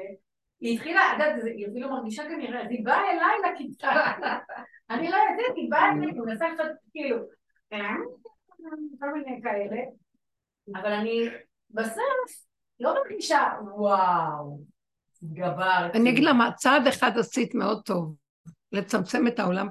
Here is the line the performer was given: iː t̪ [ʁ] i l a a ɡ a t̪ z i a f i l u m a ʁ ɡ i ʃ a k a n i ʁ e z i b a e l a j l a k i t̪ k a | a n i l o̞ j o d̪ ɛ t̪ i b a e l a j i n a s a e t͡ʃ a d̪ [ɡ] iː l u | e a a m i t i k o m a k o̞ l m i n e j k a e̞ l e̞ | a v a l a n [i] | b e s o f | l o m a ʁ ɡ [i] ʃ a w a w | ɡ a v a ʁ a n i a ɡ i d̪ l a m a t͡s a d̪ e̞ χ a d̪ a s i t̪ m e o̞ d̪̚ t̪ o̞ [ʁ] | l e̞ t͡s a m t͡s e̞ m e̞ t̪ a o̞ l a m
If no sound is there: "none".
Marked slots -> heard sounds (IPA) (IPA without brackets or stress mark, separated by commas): χ, k, i, i, v